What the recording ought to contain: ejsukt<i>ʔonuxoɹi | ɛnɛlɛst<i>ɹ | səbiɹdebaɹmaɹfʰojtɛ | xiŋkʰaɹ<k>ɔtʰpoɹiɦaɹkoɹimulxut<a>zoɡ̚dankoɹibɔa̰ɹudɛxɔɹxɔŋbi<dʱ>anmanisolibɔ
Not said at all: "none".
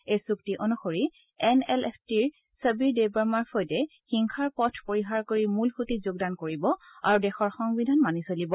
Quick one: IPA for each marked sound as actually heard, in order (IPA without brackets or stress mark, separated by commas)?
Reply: i, i, p, i, dʱ